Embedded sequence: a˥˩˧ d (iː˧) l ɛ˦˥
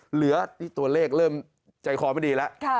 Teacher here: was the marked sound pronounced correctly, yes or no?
yes